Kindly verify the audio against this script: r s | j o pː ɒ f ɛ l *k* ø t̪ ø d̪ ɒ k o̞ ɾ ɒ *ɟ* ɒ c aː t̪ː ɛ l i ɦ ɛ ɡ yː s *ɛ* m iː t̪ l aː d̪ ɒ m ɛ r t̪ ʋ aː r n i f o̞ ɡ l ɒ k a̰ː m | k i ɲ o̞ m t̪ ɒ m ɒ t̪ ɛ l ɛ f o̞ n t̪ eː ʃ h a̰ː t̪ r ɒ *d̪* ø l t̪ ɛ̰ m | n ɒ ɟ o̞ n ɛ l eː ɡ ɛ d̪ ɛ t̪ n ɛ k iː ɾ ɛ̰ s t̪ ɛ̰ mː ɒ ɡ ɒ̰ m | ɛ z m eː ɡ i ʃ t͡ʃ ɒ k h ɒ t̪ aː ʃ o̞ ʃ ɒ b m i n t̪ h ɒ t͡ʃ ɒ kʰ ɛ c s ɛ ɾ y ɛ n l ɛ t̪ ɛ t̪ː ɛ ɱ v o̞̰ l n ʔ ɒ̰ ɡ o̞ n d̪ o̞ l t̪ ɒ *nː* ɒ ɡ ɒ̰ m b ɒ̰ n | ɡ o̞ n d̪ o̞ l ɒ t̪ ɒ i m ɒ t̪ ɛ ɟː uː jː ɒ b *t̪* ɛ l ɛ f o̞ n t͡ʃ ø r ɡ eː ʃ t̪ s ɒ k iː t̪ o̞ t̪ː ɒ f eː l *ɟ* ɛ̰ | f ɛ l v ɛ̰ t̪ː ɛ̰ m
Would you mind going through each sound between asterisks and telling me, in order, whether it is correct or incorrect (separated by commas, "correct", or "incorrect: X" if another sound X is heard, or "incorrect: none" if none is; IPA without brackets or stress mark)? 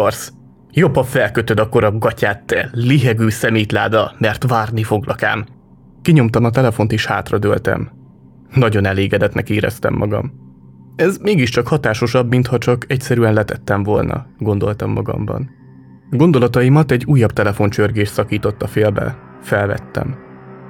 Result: correct, incorrect: ɡ, correct, correct, incorrect: mː, correct, incorrect: b